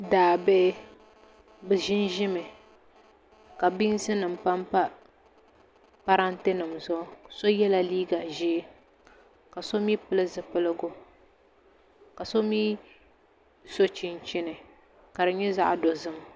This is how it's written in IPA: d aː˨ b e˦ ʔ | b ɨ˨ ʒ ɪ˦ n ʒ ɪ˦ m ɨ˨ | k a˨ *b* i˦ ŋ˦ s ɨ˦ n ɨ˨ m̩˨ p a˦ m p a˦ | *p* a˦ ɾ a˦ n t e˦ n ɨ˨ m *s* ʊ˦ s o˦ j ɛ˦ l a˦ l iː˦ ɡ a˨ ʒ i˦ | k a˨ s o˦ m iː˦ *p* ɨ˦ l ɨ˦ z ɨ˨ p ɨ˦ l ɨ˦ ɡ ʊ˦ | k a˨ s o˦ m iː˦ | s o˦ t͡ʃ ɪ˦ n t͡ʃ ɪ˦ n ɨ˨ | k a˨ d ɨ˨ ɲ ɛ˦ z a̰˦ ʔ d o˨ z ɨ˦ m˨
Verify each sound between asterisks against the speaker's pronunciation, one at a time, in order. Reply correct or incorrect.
correct, correct, incorrect, correct

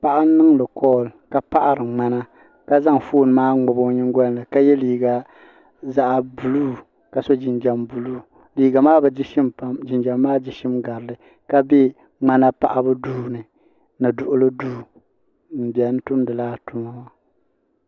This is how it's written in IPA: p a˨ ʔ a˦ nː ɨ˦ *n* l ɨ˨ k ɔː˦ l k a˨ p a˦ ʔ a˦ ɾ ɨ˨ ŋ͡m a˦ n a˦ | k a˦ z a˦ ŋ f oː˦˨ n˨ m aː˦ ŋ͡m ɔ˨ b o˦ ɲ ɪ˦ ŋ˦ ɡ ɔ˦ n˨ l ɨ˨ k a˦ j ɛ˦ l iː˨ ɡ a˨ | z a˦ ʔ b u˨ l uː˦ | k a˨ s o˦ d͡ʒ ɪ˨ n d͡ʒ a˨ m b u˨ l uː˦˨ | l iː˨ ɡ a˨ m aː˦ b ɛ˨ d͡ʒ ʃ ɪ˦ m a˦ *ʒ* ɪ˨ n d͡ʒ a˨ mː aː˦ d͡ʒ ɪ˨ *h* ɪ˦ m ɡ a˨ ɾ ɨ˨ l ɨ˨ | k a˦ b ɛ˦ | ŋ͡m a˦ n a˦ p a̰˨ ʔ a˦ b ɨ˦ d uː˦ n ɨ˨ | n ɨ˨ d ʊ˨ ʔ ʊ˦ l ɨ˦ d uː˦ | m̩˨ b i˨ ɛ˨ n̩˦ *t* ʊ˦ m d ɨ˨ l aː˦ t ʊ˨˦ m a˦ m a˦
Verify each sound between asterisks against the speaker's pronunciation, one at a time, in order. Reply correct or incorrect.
incorrect, incorrect, incorrect, correct

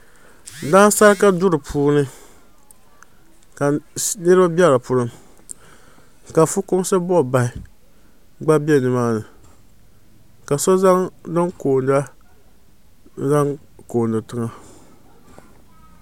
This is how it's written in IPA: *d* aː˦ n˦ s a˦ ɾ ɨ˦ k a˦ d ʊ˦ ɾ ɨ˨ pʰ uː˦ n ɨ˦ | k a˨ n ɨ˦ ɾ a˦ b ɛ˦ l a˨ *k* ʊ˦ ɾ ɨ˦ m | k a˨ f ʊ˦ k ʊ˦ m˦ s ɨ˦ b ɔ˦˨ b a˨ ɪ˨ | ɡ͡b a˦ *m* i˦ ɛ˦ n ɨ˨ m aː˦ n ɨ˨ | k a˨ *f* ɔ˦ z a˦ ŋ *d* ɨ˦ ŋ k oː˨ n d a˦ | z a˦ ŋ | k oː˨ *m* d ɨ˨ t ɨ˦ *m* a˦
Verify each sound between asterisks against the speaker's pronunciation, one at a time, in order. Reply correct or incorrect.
correct, incorrect, incorrect, incorrect, correct, incorrect, incorrect

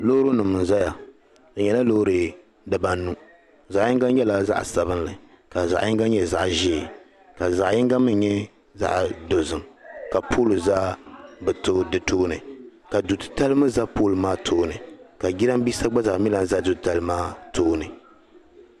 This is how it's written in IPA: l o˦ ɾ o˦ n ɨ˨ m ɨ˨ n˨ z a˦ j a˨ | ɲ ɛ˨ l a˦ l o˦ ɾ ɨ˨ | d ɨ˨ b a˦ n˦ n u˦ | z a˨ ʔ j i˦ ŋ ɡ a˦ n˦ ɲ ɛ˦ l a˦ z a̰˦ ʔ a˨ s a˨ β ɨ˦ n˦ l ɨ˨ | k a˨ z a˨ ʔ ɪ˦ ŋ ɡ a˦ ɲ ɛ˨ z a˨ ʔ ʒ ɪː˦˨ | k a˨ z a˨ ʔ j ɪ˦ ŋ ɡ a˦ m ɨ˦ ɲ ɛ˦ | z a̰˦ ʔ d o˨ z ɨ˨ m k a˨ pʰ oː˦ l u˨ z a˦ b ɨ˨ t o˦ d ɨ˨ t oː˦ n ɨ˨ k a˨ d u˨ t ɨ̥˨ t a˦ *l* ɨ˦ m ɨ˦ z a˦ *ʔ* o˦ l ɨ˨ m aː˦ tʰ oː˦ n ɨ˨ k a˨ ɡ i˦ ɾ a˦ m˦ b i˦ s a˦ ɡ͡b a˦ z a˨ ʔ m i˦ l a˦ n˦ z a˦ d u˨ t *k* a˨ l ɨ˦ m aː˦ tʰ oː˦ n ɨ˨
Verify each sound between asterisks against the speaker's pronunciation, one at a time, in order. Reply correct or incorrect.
correct, incorrect, incorrect

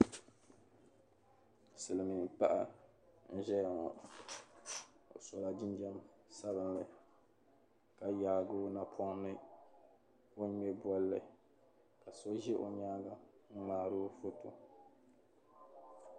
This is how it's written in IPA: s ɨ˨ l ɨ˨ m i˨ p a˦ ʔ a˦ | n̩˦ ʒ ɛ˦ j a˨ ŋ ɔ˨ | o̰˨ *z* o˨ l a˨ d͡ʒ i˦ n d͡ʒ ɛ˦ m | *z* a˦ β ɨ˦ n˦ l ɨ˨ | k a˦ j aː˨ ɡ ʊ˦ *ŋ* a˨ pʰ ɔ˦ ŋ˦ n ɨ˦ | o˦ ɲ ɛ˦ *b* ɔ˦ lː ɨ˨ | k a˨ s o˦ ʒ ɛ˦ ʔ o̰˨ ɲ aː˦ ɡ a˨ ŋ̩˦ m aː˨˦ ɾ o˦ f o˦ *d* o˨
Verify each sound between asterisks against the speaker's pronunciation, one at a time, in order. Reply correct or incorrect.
incorrect, incorrect, incorrect, correct, incorrect

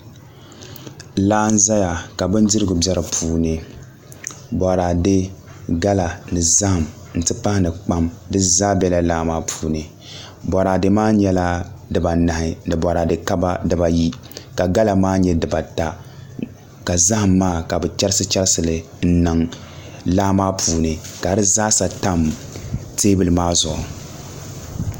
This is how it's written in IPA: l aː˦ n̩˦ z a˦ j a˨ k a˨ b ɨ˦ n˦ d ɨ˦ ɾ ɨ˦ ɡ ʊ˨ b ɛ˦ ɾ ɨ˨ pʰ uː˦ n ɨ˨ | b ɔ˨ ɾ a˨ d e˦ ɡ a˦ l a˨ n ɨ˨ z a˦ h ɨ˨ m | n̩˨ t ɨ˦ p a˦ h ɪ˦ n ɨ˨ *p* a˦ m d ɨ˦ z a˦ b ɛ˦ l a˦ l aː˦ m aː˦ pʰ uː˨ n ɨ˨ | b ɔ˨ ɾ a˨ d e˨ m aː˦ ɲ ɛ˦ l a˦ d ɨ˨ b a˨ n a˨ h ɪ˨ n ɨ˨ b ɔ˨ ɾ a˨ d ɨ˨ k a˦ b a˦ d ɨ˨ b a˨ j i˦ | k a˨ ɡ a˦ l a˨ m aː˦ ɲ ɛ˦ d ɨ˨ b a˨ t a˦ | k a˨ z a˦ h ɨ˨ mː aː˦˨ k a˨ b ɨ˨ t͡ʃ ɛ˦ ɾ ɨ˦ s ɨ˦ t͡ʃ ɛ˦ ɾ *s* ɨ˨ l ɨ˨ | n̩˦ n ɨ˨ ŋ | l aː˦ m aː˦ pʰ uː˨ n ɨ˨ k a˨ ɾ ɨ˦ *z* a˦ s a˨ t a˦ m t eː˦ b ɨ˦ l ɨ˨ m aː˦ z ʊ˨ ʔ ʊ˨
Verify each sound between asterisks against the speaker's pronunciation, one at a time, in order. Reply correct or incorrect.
incorrect, correct, correct

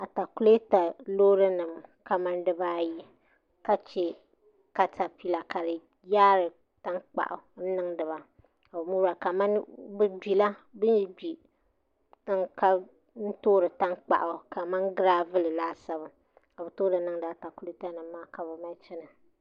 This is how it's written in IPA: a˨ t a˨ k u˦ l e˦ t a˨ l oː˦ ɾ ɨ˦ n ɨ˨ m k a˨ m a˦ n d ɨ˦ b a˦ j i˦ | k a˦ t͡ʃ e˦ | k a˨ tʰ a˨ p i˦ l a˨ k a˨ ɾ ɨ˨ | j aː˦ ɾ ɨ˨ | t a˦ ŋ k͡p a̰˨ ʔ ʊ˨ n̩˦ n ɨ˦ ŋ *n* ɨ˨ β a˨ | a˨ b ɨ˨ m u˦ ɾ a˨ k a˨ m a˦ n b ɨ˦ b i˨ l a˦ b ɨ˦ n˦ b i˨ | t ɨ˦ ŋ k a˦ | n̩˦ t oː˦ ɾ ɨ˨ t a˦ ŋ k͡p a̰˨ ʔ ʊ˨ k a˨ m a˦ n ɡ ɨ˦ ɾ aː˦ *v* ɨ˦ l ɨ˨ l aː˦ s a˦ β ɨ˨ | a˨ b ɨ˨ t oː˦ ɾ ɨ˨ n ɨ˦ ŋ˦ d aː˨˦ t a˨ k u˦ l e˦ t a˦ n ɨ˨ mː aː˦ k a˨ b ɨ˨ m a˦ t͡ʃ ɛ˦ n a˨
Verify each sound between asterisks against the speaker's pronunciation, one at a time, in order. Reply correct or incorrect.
incorrect, correct

